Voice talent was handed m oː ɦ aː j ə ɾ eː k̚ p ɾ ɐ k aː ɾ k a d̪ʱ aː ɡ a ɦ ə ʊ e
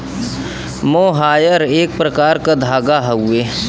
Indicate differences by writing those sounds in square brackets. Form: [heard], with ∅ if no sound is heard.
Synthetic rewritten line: m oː ɦ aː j ə ɾ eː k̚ p ɾ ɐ k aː ɾ k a d̪ʱ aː ɡ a ɦ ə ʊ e